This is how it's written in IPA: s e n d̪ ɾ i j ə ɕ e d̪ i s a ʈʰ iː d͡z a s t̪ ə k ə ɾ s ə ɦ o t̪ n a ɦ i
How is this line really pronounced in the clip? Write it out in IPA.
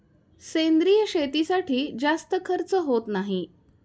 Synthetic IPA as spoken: s e n d̪ ɾ i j ə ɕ e t̪ i s a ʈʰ iː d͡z a s t̪ ə kʰ ə ɾ t͡s ə ɦ o t̪ n a ɦ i